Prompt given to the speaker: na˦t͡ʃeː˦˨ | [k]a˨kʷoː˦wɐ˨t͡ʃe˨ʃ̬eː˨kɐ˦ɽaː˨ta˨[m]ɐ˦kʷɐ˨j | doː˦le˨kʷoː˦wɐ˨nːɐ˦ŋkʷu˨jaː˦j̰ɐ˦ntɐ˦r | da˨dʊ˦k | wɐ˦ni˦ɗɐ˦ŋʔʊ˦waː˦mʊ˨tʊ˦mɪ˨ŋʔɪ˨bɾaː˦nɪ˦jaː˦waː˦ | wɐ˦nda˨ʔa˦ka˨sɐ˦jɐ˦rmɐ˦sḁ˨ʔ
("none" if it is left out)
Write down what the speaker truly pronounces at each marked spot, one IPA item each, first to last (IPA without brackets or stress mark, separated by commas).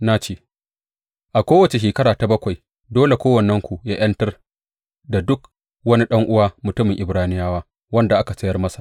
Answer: ʔ, b